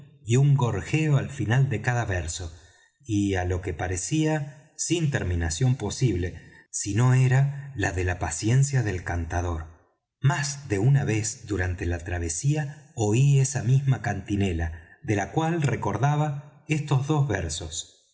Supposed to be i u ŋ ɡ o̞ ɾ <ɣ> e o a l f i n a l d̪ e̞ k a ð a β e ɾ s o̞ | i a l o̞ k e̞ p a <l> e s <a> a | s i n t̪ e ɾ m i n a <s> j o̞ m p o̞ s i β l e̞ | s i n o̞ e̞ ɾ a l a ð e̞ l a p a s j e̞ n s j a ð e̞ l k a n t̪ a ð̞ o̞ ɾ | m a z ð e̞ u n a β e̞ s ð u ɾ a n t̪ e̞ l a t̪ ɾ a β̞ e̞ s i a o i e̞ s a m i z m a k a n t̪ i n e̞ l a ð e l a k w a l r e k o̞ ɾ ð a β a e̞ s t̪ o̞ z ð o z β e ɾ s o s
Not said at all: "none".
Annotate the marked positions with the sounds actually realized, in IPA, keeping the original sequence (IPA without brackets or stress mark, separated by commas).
x, ɾ, i, s